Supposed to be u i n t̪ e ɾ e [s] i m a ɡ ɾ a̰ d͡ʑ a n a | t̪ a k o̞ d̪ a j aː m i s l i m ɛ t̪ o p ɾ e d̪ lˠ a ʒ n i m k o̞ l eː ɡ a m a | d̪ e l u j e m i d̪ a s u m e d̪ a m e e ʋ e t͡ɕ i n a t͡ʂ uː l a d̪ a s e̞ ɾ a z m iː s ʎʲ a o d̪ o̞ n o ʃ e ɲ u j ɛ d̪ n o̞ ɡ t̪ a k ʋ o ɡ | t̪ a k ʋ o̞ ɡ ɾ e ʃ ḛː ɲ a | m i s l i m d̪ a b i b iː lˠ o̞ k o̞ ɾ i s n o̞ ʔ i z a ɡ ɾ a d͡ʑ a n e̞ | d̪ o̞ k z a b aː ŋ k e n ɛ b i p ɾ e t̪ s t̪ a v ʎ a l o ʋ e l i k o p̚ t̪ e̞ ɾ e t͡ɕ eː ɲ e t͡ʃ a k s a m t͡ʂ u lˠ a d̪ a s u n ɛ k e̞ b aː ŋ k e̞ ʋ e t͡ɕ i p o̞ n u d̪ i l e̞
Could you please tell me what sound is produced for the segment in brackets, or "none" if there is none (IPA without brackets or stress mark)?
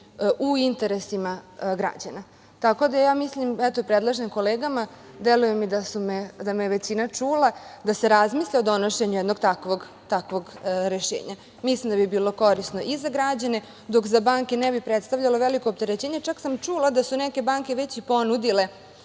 s